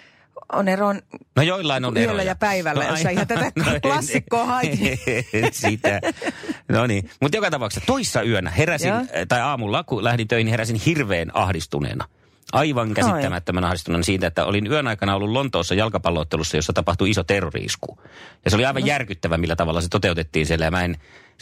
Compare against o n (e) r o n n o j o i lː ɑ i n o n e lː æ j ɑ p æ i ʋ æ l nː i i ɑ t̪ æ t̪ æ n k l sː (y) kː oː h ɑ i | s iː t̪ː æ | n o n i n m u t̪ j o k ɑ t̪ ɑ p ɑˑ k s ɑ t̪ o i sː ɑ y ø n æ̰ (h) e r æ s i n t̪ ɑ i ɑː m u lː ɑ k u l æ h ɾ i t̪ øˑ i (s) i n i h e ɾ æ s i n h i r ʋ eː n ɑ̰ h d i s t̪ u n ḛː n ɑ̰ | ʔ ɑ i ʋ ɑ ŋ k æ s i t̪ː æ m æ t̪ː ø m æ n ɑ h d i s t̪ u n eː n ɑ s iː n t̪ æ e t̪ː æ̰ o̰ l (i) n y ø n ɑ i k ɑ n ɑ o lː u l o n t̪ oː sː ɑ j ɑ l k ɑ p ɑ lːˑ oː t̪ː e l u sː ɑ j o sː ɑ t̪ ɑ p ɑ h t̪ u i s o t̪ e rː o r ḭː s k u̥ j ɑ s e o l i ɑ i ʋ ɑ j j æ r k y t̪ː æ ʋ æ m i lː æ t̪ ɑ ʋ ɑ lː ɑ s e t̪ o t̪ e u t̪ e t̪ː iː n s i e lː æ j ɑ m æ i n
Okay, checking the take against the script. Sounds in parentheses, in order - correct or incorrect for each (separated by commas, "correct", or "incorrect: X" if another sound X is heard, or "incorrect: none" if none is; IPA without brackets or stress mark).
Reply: correct, incorrect: i, correct, incorrect: h, correct